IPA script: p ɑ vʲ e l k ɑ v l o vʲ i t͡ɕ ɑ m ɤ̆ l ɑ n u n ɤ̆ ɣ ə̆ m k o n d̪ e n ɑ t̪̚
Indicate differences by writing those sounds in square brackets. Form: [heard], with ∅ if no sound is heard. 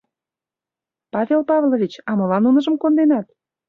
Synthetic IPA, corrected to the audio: p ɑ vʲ e l [p] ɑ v l o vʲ i t͡ɕ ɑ m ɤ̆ l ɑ n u n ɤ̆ [ʒ] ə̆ m k o n d̪ e n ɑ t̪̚